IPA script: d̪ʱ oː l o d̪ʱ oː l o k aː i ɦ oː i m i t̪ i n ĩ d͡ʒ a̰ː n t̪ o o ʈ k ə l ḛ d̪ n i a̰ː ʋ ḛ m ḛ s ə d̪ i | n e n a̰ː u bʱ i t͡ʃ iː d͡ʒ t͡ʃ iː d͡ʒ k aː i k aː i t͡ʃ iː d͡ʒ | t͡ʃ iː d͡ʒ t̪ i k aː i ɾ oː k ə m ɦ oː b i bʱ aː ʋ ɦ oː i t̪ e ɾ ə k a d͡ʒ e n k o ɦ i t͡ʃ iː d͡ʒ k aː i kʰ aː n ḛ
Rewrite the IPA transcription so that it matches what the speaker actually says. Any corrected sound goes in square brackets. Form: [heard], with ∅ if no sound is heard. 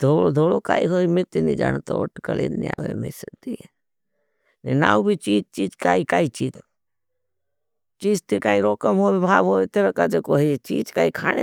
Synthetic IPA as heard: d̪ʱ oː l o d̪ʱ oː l o k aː i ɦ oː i m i t̪ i n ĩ d͡ʒ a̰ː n t̪ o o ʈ k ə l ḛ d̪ n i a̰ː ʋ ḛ m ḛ s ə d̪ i | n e n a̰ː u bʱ i t͡ʃ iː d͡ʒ t͡ʃ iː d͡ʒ k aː i k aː i t͡ʃ iː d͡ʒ | t͡ʃ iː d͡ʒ t̪ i k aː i ɾ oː k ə m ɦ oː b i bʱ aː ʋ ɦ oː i t̪ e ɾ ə k a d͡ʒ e [∅] k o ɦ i t͡ʃ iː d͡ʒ k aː i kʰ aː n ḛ